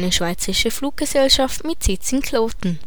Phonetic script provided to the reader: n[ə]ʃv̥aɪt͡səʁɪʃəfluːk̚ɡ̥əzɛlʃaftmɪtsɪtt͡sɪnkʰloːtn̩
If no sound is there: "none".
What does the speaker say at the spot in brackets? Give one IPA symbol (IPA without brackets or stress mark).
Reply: ə